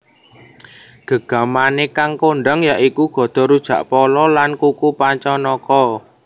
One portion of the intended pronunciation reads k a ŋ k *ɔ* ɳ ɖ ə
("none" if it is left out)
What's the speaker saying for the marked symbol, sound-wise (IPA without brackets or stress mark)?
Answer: o